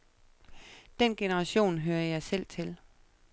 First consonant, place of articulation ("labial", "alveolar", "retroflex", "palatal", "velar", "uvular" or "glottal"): alveolar